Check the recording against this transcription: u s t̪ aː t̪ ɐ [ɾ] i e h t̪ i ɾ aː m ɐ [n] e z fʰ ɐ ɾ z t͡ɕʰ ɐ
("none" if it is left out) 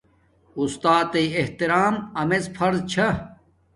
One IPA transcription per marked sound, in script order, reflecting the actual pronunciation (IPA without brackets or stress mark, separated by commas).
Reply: none, m